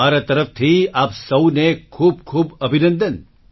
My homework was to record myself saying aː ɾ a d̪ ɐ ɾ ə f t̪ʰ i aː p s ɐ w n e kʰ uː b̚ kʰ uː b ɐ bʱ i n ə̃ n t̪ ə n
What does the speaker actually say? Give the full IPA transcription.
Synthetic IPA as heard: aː ɾ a t̪ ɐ ɾ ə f t̪ʰ i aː p s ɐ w n e kʰ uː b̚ kʰ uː b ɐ bʱ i n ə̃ n d̪ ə n